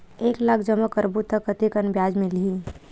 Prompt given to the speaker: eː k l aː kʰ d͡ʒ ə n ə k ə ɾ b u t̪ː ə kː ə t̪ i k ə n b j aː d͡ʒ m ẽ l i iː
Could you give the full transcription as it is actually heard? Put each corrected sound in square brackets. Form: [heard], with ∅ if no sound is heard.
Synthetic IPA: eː k l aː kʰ d͡ʒ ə [m] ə k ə ɾ b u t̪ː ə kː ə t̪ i k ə n b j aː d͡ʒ m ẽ l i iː